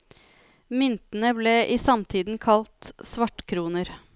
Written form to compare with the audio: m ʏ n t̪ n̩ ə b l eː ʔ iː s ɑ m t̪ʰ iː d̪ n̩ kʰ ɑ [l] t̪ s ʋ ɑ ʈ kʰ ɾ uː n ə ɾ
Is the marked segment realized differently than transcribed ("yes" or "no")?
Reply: no